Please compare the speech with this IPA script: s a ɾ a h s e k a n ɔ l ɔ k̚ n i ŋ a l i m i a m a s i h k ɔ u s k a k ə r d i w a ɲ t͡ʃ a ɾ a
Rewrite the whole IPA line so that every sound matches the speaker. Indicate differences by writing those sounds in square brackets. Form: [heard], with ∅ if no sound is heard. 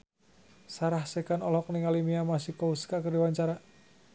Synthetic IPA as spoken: s a ɾ a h s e k a n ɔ l ɔ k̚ n i ŋ a l i m i a m a s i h k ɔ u s k a k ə r d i w a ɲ t͡ʃ a ɾ a